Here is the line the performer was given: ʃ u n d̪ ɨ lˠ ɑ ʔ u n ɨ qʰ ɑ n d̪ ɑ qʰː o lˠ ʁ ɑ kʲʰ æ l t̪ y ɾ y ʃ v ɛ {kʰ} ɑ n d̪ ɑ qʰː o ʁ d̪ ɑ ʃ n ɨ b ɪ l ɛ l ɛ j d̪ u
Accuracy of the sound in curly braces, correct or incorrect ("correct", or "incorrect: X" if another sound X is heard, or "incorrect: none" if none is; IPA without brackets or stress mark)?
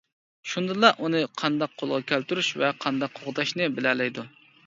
incorrect: qʰ